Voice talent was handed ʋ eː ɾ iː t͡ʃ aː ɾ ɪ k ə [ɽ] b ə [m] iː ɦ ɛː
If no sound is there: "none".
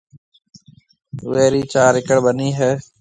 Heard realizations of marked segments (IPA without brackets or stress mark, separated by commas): ɽ, n